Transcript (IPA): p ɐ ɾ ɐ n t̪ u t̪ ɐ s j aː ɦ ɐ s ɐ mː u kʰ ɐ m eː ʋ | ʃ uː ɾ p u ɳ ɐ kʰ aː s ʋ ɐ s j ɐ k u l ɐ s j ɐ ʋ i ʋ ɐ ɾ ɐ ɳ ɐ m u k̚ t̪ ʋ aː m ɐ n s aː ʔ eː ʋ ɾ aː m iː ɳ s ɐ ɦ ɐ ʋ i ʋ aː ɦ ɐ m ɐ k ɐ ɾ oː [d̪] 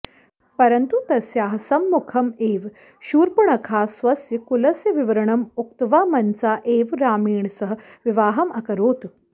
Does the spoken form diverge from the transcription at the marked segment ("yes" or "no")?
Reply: yes